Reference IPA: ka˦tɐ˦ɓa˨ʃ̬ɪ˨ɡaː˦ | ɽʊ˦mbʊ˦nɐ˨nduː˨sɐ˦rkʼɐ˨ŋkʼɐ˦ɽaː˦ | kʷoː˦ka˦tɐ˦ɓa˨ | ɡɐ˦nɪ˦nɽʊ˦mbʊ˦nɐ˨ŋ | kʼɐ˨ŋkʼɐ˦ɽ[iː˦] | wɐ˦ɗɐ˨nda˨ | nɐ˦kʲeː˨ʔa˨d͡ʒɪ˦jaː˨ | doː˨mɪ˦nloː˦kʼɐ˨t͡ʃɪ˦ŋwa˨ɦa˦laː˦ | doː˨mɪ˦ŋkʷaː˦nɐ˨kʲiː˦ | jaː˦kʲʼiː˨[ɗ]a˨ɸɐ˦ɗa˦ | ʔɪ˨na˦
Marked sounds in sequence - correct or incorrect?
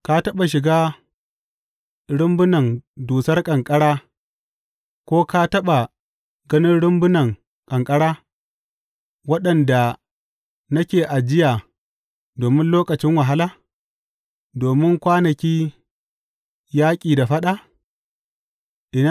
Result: incorrect, incorrect

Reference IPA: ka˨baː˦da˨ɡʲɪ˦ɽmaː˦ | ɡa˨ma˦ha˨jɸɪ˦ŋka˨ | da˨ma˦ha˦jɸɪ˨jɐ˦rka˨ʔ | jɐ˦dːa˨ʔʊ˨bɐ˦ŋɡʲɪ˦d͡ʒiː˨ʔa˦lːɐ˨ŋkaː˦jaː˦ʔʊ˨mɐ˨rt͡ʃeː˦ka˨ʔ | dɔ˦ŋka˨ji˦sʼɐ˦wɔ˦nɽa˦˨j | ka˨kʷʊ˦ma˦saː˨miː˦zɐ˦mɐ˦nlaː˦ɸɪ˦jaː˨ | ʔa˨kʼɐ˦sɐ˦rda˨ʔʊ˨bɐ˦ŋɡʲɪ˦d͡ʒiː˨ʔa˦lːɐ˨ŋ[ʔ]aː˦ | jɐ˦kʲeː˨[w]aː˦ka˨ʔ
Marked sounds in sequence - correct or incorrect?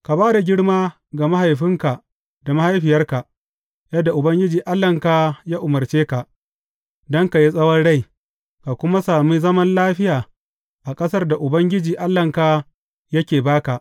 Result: incorrect, incorrect

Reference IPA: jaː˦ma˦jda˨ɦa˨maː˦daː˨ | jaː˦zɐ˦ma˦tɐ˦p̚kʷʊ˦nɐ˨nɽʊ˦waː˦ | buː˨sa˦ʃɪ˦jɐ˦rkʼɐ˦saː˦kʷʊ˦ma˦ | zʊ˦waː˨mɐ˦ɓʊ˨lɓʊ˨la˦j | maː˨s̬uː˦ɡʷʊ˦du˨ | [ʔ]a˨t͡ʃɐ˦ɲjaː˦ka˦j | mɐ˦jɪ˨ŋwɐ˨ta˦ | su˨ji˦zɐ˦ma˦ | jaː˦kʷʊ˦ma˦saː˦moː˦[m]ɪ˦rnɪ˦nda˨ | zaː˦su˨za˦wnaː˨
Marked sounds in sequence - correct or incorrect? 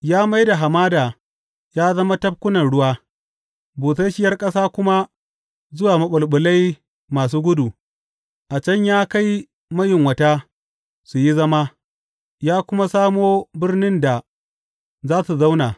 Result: correct, incorrect

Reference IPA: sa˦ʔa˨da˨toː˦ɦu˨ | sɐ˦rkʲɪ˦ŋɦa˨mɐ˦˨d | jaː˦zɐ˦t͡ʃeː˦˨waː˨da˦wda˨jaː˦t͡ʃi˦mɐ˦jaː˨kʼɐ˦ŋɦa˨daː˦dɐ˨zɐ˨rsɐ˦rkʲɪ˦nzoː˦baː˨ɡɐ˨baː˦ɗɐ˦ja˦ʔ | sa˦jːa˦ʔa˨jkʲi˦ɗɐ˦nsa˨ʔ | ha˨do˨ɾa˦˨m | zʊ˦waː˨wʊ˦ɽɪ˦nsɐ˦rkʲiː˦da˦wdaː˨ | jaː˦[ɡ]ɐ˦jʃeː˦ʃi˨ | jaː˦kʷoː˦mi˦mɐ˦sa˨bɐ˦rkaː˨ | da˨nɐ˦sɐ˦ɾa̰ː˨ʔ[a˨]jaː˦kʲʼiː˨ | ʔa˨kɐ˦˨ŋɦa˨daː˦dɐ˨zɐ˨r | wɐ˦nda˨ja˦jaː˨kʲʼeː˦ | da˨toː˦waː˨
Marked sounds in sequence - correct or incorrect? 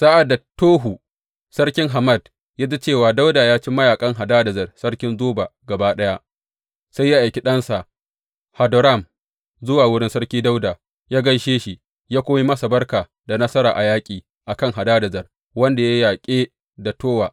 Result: correct, correct

